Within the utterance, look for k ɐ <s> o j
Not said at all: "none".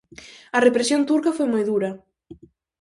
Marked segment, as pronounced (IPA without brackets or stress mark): f